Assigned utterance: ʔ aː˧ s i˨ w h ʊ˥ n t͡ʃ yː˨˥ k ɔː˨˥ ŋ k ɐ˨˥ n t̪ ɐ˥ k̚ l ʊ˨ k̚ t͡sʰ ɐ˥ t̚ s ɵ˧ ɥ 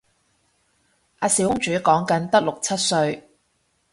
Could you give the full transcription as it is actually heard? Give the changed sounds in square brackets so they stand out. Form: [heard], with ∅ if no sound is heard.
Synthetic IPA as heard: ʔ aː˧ s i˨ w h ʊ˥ [ŋ] t͡ʃ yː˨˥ k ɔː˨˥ ŋ k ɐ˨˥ n t̪ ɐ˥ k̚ l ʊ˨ k̚ t͡sʰ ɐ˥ t̚ s ɵ˧ ɥ